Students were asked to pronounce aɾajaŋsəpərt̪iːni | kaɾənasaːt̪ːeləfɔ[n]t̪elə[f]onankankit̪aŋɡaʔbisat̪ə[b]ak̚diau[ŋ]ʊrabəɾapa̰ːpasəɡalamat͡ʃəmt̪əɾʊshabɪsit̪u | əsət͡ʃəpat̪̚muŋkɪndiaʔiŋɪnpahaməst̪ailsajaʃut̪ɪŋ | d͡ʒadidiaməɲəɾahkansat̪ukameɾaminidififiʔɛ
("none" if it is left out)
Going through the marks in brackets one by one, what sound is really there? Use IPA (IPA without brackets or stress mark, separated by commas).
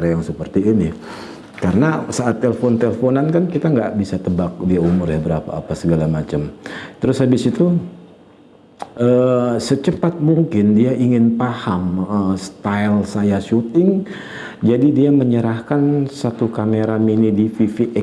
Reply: n, f, b, m